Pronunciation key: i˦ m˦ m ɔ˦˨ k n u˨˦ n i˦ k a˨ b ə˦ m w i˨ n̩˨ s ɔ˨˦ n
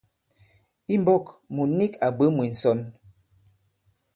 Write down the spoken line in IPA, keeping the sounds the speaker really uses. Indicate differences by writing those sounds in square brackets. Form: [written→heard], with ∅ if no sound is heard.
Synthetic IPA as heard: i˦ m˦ [m→b] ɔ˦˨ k [n→m] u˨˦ n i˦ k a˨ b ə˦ m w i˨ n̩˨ s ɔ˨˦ n

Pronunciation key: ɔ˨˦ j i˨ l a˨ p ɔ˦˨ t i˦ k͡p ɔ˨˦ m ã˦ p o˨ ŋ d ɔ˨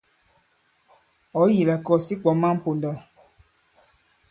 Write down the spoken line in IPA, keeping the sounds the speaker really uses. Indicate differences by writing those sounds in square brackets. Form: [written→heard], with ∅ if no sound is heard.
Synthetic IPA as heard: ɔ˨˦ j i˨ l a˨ [p→k] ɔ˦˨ [t→s] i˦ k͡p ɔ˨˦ m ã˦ p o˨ [ŋ→n] d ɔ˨

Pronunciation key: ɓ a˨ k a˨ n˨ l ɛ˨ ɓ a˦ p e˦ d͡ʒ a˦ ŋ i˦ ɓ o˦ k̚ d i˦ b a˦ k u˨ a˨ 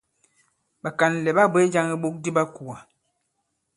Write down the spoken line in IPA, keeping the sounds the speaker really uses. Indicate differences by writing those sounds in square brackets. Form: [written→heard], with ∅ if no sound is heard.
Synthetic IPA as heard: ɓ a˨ k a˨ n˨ l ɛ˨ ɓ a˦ [p→b] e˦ d͡ʒ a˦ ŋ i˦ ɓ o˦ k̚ d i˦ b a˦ k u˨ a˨

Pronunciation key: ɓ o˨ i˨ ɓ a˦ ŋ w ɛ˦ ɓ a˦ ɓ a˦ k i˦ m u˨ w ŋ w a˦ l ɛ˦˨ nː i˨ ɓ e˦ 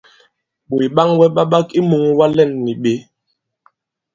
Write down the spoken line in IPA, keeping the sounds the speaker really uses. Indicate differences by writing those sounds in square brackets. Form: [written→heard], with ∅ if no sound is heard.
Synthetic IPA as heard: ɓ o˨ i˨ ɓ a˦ ŋ w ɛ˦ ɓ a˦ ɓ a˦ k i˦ m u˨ [w→∅] ŋ w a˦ l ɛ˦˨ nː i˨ ɓ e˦

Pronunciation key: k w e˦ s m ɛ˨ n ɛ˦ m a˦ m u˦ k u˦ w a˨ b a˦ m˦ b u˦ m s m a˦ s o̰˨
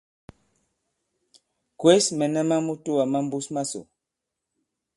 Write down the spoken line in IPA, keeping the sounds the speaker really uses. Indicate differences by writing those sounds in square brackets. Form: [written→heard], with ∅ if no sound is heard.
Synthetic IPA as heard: k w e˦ s m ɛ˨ n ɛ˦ m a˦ m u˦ [k→t] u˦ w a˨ [b→m] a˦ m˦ b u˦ [m→∅] s m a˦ s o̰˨

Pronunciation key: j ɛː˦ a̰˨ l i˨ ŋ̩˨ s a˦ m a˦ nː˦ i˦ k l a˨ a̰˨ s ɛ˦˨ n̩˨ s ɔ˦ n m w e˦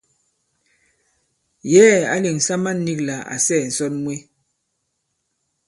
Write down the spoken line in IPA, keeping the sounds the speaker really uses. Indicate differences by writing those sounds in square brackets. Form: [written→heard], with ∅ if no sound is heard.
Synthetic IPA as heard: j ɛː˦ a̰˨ l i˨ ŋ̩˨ s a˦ m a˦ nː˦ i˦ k l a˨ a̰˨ s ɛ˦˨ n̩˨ s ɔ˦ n m w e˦

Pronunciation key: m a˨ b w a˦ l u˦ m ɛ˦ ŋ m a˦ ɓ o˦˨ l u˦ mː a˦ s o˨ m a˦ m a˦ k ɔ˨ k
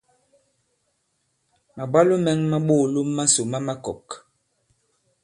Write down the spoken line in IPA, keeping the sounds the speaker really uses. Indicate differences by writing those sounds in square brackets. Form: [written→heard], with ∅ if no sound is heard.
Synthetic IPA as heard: m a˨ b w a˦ l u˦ m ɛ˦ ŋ m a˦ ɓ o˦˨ l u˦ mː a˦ s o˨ m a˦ m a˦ k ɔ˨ k

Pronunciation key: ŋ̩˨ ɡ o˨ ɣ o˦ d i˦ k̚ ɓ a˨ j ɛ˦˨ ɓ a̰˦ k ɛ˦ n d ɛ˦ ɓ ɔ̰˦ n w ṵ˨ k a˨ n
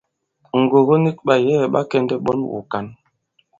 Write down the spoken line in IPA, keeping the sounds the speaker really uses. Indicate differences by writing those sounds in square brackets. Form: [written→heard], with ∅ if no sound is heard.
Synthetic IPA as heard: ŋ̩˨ ɡ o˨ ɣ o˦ [d→n] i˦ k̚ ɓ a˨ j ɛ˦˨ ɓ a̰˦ k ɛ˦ n d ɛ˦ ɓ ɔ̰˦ n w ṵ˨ k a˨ n

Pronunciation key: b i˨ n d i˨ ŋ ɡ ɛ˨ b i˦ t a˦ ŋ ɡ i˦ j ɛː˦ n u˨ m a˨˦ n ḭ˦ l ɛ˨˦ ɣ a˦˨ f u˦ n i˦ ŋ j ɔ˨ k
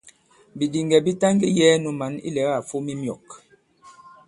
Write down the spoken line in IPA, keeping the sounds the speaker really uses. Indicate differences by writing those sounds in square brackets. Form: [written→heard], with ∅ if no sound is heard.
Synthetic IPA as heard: b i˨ [n→∅] d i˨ ŋ ɡ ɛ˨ b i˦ t a˦ ŋ ɡ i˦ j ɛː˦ n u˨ m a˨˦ n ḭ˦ l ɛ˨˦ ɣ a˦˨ f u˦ [n→m] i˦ [ŋ→m] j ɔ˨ k

